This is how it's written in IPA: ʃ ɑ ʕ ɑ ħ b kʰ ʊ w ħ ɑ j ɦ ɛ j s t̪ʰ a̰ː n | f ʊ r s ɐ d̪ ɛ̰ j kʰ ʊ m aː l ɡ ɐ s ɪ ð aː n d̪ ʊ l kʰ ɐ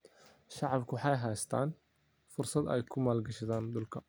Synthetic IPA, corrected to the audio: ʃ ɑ ʕ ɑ b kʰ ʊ w ħ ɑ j ɦ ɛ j s t̪ʰ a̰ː n | f ʊ r s ɐ d̪ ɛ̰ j kʰ ʊ m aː l ɡ ɐ ʃ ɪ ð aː n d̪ ʊ l kʰ ɐ